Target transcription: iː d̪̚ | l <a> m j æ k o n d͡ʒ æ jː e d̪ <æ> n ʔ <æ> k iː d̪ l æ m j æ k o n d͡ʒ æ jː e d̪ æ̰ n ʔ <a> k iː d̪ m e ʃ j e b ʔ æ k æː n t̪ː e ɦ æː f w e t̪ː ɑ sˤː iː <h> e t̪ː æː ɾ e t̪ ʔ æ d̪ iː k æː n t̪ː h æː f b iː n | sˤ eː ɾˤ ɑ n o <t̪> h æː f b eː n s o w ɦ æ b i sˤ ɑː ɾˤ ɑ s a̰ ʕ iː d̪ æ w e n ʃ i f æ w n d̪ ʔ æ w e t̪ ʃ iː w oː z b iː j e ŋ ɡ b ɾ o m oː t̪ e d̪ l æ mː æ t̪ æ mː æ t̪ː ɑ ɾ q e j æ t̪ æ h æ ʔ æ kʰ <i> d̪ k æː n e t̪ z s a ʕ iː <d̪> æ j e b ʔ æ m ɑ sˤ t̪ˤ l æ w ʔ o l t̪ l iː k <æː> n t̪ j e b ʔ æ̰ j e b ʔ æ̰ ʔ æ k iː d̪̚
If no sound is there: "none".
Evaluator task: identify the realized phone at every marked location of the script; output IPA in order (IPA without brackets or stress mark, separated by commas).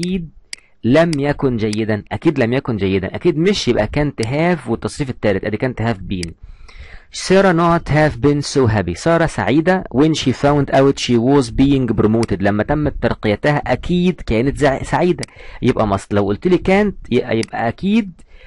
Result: æ, æ, æ, æ, f, t̪, iː, d̪, æː